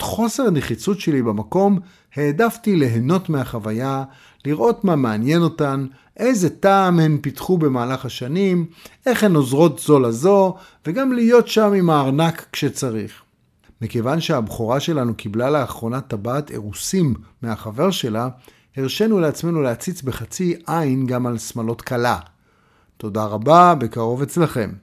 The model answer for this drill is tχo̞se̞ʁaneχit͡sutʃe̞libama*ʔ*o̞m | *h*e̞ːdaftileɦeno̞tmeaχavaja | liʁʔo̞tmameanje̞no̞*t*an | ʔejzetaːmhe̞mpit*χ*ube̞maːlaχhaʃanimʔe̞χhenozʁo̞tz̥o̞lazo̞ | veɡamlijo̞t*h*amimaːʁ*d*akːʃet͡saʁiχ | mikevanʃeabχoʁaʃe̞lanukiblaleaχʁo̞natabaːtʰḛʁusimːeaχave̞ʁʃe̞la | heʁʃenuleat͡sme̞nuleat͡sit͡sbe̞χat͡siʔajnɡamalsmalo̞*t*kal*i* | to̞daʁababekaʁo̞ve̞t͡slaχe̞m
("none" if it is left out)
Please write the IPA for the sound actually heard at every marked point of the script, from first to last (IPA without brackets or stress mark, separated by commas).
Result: k, h, t, χ, ʃ, n, t, a